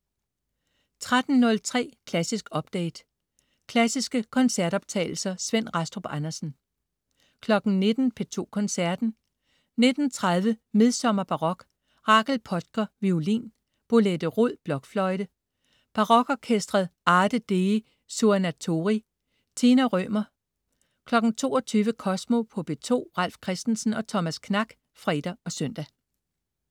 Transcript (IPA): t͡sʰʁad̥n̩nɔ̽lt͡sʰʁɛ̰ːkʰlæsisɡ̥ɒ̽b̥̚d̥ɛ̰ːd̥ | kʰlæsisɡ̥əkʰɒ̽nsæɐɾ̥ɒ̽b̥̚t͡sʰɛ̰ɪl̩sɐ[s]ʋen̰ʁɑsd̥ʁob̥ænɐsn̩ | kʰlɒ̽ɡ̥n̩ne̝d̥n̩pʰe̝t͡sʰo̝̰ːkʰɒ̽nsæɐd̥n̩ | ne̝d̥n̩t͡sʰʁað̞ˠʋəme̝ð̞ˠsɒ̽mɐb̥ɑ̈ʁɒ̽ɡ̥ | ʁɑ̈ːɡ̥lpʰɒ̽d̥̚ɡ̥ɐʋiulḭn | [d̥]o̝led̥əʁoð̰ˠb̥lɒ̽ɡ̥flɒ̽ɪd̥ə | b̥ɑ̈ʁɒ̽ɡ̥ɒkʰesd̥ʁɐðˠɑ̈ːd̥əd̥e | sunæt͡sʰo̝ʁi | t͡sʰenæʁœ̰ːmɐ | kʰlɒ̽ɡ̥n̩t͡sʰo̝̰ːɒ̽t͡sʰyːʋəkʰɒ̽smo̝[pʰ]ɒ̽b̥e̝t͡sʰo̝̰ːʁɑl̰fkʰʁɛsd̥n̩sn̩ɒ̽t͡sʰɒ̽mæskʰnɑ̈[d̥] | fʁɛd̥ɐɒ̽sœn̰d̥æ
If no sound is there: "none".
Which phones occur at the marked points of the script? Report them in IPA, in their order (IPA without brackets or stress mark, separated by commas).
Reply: s, b̥, pʰ, ɡ̥